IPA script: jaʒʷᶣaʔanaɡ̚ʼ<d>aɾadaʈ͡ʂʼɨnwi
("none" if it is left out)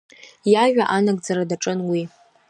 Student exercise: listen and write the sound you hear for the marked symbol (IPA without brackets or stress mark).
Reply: d͡z